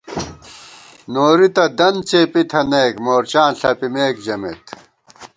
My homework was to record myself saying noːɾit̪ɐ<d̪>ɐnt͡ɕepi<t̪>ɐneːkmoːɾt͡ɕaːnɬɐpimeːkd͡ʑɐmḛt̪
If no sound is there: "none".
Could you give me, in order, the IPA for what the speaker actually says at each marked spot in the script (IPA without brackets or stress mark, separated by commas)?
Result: d̪, t̪ʰ